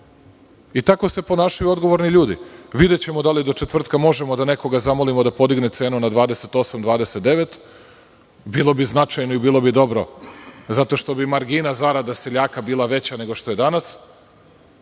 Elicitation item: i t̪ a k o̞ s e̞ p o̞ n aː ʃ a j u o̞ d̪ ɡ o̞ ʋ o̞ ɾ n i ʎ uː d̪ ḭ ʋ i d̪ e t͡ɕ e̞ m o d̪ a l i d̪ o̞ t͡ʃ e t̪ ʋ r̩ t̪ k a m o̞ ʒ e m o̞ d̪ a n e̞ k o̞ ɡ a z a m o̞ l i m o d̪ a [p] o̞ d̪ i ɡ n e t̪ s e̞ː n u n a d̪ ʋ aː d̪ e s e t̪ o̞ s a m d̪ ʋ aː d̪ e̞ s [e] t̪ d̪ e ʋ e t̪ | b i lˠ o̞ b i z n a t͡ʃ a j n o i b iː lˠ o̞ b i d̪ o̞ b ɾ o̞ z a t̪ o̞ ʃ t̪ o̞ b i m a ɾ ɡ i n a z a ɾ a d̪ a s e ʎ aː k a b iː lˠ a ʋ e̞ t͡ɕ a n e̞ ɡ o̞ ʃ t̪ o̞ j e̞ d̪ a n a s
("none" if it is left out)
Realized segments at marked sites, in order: p, e

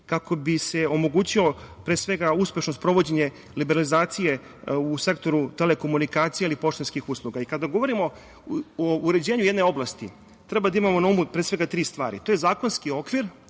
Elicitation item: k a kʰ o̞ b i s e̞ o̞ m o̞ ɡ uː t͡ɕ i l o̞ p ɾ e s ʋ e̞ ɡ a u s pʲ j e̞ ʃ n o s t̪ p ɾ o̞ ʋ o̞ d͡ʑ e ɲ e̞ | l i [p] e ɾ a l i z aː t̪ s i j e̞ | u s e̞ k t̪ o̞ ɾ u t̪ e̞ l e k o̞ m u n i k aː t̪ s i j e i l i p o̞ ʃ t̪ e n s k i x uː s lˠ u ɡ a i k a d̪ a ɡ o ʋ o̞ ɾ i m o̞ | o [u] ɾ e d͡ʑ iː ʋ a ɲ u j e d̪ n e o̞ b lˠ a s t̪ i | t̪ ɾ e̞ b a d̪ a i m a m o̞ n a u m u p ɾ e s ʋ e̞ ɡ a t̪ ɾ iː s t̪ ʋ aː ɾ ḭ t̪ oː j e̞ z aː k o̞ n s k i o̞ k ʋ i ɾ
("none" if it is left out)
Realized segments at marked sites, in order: b, u

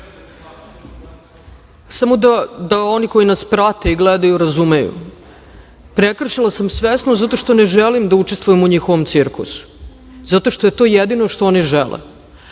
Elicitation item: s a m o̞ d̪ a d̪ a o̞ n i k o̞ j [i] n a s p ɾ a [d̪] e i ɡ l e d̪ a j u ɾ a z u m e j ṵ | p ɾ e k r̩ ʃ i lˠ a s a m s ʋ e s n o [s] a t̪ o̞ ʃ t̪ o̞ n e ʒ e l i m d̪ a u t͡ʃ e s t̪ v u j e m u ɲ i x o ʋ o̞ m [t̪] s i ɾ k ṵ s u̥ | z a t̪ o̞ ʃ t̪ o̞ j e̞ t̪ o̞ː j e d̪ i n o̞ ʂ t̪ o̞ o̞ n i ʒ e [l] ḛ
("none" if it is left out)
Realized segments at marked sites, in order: i, t̪, z, t̪, l

